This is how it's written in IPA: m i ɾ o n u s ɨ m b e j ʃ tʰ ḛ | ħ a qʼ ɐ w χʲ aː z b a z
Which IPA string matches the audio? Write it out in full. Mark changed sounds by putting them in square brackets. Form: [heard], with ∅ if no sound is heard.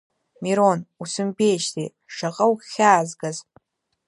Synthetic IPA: m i ɾ o n u s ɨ m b e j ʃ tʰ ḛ | [ʂ] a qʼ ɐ w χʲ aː z [ɡ] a z